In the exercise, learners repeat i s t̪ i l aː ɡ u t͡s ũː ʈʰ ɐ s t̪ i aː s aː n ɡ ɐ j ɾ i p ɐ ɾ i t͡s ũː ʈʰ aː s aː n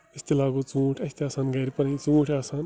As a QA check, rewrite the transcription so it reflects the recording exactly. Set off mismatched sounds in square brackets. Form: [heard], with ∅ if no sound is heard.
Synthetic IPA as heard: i s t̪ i l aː ɡ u t͡s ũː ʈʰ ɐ s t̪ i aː s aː n ɡ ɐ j ɾ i p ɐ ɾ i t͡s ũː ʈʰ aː s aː n